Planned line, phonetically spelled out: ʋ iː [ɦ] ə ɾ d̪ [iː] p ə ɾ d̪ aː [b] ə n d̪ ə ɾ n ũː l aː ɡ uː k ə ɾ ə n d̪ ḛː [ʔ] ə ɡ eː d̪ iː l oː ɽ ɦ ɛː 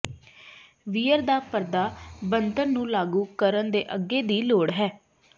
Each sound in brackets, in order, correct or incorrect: incorrect: none, incorrect: aː, correct, correct

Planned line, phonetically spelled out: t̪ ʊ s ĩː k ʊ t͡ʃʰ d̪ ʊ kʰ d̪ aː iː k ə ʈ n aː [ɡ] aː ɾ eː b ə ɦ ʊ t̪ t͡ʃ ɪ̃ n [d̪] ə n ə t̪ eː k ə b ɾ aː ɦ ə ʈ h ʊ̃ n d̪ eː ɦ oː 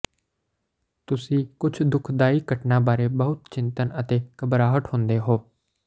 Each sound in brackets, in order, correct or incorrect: incorrect: b, incorrect: t̪

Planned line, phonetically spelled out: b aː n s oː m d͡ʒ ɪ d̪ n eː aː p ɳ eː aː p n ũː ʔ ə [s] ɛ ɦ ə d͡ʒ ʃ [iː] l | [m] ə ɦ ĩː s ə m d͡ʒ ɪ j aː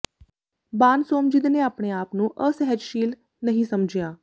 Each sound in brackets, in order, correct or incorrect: correct, correct, incorrect: n

